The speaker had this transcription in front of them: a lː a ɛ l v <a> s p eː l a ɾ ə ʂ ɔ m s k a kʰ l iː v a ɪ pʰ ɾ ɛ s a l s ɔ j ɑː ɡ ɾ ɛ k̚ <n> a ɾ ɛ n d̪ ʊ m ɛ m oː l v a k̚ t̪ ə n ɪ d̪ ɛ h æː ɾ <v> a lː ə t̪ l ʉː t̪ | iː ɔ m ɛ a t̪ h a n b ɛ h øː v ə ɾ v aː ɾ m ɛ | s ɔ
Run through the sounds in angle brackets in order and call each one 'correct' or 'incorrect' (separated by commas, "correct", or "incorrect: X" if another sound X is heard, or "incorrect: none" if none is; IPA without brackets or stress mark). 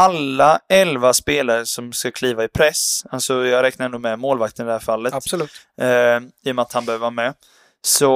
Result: correct, correct, incorrect: f